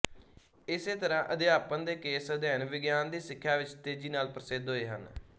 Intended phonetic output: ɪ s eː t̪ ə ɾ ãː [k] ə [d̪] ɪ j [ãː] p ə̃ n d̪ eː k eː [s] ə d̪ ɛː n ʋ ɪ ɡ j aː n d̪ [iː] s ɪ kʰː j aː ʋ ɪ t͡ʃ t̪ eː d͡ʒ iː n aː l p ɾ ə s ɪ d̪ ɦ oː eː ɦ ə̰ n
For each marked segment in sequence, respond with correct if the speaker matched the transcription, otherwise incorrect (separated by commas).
incorrect, correct, incorrect, correct, correct